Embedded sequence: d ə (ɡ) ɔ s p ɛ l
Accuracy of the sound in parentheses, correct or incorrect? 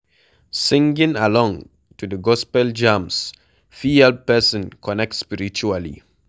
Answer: correct